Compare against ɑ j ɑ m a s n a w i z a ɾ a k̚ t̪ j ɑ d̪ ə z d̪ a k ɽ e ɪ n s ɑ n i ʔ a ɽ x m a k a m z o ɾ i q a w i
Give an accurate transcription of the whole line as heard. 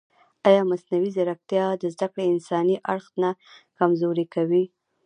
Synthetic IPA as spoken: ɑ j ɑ m a s n a w i z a ɾ a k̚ t̪ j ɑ d̪ ə z d̪ a k ɽ e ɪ n s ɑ n i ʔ a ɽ x n a k a m z o ɾ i k a w i